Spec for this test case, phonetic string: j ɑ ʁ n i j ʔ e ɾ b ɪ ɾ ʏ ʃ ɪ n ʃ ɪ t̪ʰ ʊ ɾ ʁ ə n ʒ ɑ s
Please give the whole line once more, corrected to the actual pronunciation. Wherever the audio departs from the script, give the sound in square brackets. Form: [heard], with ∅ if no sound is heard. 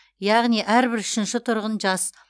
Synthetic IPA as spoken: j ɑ ʁ n i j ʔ [æ] ɾ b ɪ ɾ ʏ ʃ ɪ n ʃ ɪ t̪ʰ ʊ ɾ ʁ ə n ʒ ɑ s